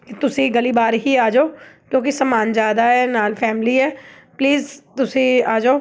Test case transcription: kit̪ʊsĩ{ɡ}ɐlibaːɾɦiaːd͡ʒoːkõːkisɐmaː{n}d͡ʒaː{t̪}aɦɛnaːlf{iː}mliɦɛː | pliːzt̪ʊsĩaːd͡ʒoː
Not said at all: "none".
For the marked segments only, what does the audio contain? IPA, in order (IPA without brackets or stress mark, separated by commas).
ɡ, n, d̪, ɛː